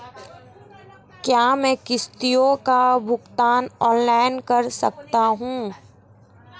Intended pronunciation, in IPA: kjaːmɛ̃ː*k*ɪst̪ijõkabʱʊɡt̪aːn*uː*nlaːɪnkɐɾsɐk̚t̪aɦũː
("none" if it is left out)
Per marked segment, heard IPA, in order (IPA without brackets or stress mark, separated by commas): k, ɔː